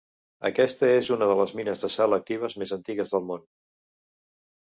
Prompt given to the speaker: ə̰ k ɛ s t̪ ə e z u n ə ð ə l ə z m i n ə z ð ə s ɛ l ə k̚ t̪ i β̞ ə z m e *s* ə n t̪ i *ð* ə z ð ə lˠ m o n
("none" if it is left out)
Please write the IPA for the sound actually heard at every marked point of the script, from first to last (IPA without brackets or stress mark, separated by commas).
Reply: z, ɣ